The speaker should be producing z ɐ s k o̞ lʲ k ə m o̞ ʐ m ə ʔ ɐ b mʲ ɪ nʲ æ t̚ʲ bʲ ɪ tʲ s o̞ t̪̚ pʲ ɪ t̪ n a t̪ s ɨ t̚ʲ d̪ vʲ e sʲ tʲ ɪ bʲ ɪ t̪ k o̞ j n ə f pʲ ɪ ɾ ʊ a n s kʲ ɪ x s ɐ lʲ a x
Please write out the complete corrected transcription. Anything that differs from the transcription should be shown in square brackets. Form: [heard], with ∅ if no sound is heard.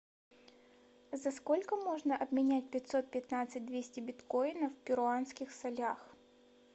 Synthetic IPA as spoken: z ɐ s k o̞ lʲ k ə m o̞ ʐ [n] ə ʔ ɐ b mʲ ɪ nʲ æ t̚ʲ [pʲ] ɪ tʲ s o̞ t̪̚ pʲ ɪ t̪ n a t̪ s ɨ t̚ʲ d̪ vʲ e sʲ tʲ ɪ bʲ ɪ t̪ k o̞ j n ə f pʲ ɪ ɾ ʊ a n s kʲ ɪ x s ɐ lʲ a x